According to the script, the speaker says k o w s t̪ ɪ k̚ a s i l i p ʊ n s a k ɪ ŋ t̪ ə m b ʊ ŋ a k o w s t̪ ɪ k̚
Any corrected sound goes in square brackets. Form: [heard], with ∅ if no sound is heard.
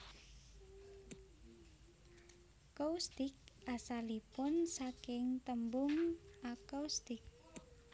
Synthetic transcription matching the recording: k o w s t̪ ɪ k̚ a s [a] l i p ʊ n s a k ɪ ŋ t̪ ə m b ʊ ŋ a k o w s t̪ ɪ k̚